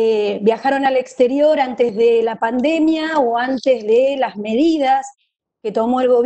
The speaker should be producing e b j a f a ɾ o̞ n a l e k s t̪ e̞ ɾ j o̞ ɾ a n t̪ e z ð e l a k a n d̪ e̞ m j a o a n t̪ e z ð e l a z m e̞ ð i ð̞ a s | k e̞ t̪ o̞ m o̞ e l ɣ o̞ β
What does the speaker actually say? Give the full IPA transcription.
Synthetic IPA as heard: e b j a x a ɾ o̞ n a l e k s t̪ e̞ ɾ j o̞ ɾ a n t̪ e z ð e l a p a n d̪ e̞ m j a o a n t̪ e z ð e l a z m e̞ ð i ð̞ a s | k e̞ t̪ o̞ m o̞ e l ɣ o̞ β